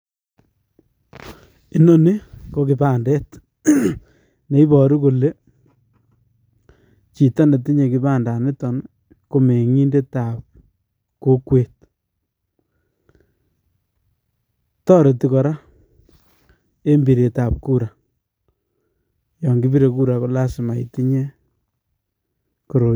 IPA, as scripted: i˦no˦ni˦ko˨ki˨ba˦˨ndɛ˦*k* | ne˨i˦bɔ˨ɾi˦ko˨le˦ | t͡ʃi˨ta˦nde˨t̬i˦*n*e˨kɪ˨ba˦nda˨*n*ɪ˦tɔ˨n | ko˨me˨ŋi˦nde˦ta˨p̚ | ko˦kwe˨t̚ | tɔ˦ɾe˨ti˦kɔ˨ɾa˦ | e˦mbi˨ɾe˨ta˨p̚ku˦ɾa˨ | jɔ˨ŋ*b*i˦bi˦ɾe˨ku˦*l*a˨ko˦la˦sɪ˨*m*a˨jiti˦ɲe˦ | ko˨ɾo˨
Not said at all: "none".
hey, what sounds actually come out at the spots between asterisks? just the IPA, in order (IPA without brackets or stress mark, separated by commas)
t, ɲ, n, ɡ, ɾ, m